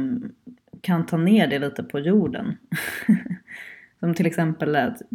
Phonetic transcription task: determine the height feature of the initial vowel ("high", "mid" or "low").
low